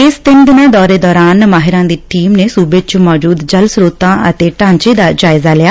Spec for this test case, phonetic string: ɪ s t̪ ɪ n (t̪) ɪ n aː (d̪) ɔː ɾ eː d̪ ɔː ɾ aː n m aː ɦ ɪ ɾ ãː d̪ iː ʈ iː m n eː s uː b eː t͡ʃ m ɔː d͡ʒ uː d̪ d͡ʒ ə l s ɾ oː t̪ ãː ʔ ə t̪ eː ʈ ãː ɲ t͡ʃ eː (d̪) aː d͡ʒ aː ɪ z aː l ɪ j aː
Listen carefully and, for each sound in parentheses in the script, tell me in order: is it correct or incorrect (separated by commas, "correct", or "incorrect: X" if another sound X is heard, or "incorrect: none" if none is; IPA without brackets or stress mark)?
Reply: incorrect: d̪, correct, correct